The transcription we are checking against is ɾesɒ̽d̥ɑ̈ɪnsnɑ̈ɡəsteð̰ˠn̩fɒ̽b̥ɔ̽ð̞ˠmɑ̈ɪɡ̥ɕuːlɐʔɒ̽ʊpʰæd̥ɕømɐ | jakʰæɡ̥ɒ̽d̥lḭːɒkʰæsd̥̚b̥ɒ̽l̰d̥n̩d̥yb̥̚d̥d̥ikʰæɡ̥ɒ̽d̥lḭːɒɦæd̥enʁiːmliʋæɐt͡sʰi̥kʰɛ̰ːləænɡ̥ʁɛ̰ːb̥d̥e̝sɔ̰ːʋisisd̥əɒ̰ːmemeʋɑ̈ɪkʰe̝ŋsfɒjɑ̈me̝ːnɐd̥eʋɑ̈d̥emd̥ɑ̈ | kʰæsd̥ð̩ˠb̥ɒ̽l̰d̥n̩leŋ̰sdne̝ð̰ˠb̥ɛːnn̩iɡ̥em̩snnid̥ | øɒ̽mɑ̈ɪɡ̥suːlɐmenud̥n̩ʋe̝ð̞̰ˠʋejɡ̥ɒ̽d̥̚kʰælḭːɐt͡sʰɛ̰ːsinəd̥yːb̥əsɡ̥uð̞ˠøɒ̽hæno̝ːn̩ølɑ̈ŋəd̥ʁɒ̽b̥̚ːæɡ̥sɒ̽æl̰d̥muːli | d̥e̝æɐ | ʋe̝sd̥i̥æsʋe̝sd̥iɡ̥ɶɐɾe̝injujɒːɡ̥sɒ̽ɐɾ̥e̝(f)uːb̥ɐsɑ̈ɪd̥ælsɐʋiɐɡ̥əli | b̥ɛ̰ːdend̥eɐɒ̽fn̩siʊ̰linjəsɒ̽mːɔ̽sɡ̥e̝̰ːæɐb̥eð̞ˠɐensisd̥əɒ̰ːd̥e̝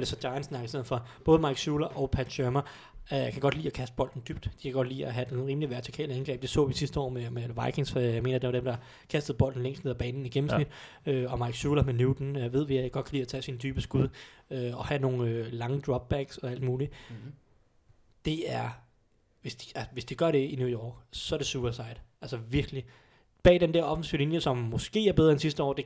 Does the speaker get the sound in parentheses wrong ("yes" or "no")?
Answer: yes